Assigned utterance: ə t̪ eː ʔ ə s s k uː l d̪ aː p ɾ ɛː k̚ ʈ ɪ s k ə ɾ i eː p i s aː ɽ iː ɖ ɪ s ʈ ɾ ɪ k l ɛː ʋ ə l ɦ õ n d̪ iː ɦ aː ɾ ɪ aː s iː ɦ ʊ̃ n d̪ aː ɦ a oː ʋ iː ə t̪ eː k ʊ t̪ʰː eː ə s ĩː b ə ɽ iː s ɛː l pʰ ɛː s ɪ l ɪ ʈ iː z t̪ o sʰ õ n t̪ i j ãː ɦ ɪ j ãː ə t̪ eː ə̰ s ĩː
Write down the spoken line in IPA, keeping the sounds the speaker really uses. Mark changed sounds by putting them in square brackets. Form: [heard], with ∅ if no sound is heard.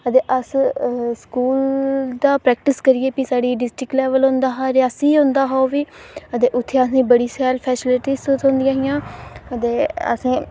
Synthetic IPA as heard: ə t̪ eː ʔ ə s s k uː l d̪ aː p ɾ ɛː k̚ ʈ ɪ s k ə ɾ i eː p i s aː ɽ iː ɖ ɪ s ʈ ɾ ɪ k l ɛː ʋ ə l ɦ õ n d̪ [aː] ɦ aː ɾ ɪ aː s iː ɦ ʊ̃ n d̪ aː ɦ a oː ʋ iː ə t̪ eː [ʔ] ʊ t̪ʰː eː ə s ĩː b ə ɽ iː s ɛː l pʰ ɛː s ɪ l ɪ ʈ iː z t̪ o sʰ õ n [d̪] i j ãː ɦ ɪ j ãː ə t̪ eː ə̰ s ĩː

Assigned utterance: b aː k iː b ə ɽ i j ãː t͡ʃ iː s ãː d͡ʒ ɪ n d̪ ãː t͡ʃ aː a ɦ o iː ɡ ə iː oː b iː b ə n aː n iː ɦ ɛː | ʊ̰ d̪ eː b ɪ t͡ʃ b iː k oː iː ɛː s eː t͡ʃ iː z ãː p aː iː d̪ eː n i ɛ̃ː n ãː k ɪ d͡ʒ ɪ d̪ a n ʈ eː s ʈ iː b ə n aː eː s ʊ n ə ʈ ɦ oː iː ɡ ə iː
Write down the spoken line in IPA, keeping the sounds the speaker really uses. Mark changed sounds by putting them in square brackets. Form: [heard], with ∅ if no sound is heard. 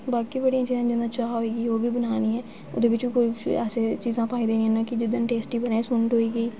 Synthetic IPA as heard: b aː k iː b ə ɽ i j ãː t͡ʃ iː [z] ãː d͡ʒ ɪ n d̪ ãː t͡ʃ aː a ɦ o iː ɡ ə iː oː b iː b ə n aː n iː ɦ ɛː | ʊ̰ d̪ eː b ɪ t͡ʃ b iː k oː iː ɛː s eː t͡ʃ iː z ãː p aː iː d̪ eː n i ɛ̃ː n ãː k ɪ d͡ʒ ɪ d̪ [ə] n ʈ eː s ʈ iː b ə n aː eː s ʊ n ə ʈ ɦ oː iː ɡ ə iː

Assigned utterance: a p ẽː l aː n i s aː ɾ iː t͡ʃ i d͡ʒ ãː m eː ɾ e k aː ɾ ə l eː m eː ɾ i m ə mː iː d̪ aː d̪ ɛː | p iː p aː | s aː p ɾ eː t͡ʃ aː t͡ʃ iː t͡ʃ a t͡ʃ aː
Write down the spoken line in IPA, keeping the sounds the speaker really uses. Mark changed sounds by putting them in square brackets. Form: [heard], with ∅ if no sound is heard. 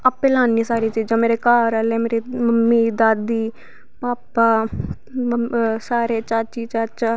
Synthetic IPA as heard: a p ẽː l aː n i s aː ɾ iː t͡ʃ [iː] d͡ʒ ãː m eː ɾ e k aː ɾ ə l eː m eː ɾ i m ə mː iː d̪ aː d̪ [iː] | p [aː] p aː | s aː [∅] ɾ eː t͡ʃ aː t͡ʃ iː t͡ʃ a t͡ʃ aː

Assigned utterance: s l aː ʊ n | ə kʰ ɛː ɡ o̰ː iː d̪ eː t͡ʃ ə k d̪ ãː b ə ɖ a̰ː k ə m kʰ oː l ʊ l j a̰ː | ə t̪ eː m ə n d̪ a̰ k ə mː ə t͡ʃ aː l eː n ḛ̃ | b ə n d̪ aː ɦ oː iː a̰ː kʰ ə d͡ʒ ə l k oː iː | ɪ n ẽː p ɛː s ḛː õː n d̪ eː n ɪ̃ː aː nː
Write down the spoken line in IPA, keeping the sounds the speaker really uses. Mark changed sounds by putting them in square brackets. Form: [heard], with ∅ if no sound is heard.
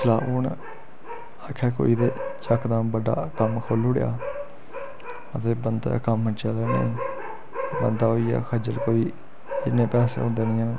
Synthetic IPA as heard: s l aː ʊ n | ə kʰ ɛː [k] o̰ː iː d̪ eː t͡ʃ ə k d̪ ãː b ə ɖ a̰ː k ə m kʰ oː l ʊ [ɽ] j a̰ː | ə t̪ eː [b] ə n d̪ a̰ k ə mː ə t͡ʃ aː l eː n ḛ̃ | b ə n d̪ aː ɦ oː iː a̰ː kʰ ə d͡ʒ ə l k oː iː | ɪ n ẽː p ɛː s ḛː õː n d̪ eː n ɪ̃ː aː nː

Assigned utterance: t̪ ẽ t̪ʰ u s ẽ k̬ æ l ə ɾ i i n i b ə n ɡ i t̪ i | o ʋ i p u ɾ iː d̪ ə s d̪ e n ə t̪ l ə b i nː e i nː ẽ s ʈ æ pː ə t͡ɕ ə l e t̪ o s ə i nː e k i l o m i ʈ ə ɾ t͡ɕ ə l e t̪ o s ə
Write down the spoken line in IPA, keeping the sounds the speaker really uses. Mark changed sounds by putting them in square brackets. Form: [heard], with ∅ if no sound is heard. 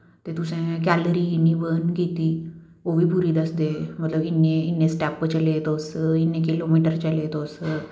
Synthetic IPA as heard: t̪ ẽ [t̪] u s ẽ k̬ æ l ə ɾ i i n i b ə n ɡ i t̪ i | o ʋ i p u ɾ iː d̪ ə s d̪ e [m] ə t̪ l ə b i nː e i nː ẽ s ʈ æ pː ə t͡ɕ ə l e t̪ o s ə i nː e k i l o m i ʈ ə ɾ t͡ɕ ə l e t̪ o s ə

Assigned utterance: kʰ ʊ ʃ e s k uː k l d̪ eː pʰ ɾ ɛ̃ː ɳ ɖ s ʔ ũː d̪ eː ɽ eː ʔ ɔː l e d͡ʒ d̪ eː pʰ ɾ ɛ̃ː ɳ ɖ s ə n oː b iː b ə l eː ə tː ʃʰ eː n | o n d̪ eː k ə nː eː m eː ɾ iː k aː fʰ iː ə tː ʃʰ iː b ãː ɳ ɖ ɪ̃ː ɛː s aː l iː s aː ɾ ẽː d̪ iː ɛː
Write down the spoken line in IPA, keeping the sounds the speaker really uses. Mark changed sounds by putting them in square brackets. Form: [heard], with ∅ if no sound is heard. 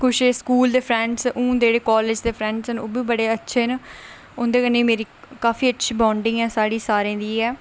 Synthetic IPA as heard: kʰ ʊ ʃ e s k uː [∅] l d̪ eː pʰ ɾ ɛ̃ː ɳ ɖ s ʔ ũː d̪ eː ɽ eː [k] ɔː l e d͡ʒ d̪ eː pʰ ɾ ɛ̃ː ɳ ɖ s ə n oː b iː b ə [ɽ] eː ə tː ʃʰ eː n | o n d̪ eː k ə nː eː m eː ɾ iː k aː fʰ iː ə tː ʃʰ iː b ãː ɳ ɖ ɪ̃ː ɛː s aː [ɽ] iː s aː ɾ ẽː d̪ iː ɛː

